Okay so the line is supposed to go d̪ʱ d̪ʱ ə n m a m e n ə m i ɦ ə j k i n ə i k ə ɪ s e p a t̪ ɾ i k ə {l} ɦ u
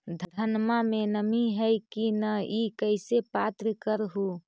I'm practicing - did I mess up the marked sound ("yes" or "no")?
yes